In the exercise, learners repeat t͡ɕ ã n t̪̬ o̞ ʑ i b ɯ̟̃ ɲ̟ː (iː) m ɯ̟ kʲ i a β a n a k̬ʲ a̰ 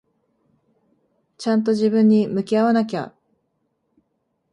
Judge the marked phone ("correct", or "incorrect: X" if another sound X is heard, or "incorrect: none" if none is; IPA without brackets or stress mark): incorrect: i